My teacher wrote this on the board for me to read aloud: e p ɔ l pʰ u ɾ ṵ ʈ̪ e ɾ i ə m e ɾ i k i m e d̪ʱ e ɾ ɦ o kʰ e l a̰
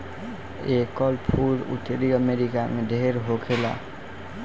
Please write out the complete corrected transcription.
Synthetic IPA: e k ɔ l pʰ u ɾ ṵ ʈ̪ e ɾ i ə m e ɾ i k a m e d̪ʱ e ɾ ɦ o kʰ e l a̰